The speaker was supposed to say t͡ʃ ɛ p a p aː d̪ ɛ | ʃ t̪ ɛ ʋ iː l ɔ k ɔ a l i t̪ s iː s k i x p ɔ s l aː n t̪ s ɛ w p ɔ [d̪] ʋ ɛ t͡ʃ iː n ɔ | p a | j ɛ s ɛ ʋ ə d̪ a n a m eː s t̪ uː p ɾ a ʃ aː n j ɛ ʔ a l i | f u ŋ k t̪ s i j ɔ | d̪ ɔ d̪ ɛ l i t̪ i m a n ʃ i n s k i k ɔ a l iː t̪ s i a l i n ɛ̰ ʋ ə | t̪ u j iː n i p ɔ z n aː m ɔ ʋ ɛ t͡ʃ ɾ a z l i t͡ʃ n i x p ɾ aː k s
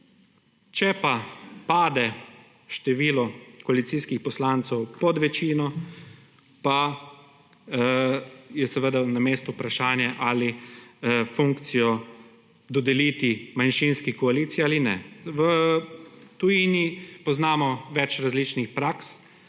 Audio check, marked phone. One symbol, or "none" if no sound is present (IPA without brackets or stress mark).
d̪